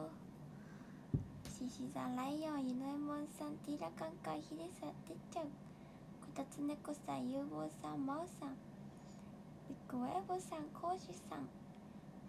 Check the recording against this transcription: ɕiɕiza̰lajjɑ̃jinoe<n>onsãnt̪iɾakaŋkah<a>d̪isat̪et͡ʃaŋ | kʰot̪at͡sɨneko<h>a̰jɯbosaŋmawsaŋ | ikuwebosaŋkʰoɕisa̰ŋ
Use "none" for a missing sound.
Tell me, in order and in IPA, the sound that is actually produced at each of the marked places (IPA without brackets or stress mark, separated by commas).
m, i, s